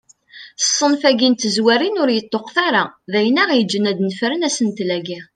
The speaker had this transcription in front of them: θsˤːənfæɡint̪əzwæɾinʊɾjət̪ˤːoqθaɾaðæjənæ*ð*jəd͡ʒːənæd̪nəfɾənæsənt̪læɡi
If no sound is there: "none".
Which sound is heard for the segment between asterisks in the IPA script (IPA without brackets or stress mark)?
ʁ